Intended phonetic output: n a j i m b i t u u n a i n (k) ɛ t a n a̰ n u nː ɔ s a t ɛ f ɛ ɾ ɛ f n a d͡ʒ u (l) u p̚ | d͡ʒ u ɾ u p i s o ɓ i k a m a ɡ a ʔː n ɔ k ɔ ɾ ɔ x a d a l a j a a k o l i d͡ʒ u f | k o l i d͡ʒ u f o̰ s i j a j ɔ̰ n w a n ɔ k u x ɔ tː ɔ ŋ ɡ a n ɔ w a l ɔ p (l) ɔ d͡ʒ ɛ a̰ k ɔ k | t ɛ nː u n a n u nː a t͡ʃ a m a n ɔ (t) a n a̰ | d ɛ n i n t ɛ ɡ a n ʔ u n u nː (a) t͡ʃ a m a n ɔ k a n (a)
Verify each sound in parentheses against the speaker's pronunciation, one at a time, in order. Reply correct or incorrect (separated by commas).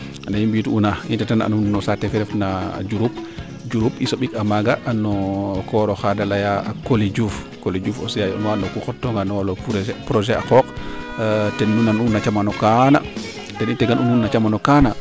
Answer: incorrect, incorrect, incorrect, incorrect, correct, correct